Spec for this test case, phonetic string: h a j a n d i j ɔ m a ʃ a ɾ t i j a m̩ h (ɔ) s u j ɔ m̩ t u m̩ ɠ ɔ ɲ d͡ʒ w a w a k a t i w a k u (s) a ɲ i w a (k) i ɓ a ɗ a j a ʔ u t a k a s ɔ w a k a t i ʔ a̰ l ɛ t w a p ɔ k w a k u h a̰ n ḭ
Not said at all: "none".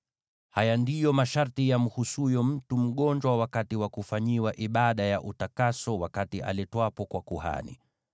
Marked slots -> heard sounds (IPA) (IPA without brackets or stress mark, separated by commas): u, f, ʔ